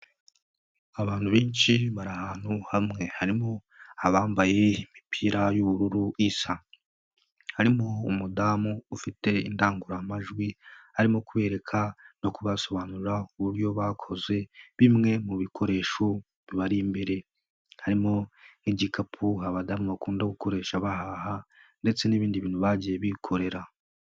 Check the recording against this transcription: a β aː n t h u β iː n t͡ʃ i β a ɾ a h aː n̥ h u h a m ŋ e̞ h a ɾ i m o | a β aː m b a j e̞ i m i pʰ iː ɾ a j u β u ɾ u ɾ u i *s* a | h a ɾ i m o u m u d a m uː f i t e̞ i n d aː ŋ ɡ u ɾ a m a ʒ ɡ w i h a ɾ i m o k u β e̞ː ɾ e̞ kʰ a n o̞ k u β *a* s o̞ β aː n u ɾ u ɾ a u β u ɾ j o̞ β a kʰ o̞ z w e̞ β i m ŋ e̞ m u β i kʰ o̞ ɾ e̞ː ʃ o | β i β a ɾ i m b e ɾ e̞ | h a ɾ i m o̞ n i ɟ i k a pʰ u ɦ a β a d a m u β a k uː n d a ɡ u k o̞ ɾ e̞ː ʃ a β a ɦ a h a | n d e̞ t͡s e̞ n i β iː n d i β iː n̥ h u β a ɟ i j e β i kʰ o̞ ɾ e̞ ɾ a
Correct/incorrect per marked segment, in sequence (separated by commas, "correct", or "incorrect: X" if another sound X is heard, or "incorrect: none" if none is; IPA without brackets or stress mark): correct, correct